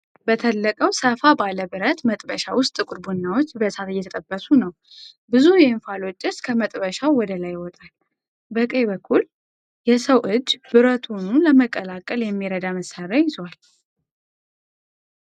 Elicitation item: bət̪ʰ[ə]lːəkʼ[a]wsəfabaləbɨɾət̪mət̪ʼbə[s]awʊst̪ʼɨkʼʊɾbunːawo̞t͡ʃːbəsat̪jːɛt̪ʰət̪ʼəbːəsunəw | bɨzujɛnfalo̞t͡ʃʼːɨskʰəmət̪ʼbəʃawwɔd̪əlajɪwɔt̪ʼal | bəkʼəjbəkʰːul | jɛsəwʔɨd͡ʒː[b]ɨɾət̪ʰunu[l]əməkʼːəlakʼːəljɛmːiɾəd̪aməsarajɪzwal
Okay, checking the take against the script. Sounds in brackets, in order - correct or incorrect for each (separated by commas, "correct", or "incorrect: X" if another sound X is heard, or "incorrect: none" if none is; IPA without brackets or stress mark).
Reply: correct, incorrect: ə, incorrect: ʃ, correct, correct